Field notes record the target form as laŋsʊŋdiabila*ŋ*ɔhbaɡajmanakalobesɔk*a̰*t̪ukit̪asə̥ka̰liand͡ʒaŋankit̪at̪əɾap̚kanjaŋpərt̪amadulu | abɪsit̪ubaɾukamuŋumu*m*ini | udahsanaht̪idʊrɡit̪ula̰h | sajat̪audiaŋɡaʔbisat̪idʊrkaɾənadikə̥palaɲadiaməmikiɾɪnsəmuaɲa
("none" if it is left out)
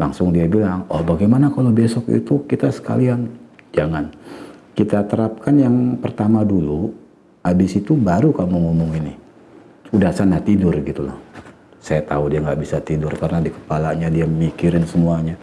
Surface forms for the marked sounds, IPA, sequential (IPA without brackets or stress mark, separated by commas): ŋ, ḭ, ŋ